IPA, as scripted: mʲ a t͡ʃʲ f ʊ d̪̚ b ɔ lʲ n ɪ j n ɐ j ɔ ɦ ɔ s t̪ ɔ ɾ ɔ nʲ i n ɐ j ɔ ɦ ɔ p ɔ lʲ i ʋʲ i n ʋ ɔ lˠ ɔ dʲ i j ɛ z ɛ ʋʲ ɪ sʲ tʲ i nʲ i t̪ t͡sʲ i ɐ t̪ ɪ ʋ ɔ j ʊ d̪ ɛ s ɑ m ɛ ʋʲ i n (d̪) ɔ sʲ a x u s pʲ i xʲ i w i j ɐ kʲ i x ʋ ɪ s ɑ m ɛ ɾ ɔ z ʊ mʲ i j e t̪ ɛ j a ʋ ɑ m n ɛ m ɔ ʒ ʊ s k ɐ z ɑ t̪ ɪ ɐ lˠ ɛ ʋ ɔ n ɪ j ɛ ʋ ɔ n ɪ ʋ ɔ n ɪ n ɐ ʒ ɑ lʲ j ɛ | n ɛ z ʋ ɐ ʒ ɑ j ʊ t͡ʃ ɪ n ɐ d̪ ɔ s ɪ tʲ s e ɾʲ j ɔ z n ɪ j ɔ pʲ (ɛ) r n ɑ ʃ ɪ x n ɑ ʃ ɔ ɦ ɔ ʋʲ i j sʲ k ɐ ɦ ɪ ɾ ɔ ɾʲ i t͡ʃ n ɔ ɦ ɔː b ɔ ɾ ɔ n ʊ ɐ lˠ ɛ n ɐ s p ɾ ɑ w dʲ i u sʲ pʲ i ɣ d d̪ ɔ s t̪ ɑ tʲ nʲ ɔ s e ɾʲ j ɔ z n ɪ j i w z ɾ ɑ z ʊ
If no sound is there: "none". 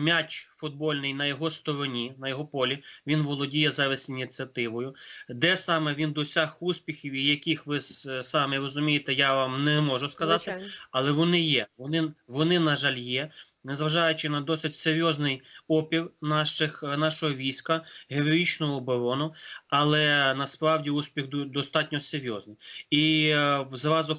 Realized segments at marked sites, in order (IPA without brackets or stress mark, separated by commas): d̪, i